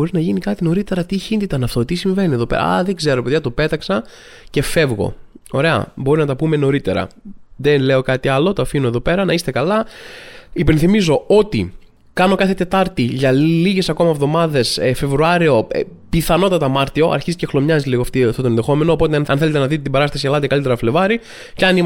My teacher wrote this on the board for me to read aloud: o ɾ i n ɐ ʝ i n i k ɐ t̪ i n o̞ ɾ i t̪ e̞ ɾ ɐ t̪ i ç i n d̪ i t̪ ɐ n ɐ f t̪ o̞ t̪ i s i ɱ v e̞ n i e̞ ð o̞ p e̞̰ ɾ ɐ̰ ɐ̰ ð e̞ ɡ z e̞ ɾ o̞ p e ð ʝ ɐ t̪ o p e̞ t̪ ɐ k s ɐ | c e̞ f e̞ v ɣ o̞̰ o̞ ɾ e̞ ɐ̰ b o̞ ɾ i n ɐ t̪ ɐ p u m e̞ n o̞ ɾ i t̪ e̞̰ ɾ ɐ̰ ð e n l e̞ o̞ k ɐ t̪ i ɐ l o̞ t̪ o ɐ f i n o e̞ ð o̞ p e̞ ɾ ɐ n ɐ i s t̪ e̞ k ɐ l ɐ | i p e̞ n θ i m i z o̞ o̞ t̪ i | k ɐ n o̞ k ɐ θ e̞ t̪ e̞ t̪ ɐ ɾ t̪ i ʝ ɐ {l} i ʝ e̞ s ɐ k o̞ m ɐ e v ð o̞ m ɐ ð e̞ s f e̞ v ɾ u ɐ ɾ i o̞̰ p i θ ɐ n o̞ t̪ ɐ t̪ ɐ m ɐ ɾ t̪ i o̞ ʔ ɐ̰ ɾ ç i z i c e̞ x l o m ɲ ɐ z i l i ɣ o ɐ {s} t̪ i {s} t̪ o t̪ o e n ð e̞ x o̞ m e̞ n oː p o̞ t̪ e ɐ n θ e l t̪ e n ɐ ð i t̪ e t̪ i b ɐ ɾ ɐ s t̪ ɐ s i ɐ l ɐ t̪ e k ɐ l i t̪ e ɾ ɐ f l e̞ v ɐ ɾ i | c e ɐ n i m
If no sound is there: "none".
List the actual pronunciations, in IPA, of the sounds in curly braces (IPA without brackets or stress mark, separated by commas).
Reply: l, f, f